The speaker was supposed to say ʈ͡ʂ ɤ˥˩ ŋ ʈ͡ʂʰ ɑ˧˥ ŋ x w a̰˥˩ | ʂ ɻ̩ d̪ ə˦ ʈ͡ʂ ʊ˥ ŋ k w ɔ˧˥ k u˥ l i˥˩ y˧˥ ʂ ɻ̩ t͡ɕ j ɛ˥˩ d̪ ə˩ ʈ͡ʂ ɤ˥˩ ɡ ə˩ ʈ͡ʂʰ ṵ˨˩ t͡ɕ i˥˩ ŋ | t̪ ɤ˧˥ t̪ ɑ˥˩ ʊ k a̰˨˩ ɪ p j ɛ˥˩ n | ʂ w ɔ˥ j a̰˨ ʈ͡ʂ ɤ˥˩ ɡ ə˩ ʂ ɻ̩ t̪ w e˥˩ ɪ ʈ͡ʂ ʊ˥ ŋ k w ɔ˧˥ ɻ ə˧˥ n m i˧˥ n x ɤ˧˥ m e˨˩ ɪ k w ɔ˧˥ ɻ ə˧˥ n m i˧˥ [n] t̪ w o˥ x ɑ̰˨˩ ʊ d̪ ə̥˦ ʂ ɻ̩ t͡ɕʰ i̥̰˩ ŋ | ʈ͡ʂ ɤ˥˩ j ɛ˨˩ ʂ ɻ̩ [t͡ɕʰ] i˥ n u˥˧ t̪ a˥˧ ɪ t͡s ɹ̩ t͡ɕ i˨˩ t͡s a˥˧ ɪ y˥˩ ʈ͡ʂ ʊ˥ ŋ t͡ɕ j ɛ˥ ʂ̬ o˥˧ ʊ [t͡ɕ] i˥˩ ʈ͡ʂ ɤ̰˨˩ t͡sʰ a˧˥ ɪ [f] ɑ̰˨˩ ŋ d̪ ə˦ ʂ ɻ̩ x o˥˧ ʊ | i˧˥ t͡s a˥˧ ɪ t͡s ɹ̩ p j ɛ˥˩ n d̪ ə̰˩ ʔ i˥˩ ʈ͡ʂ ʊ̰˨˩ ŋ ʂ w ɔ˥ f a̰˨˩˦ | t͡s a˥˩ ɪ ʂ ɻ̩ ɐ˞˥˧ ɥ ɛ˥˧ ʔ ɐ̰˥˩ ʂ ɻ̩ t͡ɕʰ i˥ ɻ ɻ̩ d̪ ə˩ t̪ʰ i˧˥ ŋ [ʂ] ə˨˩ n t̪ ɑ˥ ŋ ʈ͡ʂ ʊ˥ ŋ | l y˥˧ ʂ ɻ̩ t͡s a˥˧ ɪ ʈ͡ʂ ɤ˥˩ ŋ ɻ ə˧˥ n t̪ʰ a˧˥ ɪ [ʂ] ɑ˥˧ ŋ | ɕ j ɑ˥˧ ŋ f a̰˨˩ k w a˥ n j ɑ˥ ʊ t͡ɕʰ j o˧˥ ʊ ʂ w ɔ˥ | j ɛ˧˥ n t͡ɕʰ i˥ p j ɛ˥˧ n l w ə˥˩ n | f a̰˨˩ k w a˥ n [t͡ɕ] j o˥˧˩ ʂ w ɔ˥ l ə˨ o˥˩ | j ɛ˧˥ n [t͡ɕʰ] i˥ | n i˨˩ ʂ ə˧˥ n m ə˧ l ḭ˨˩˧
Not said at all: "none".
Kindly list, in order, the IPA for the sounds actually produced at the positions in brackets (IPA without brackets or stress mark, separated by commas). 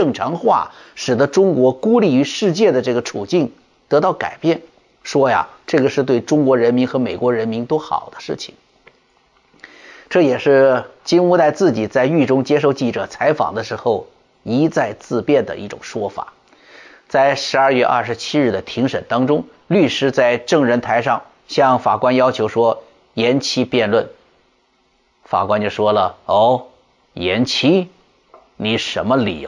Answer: n, t͡ɕ, t͡ɕ, f, ʂ, ʂ, t͡ɕ, t͡ɕʰ